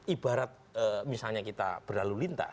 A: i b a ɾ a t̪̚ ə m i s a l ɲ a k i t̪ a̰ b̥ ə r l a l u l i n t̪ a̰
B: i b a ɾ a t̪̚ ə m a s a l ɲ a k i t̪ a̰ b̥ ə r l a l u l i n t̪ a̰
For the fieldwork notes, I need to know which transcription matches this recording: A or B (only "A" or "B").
A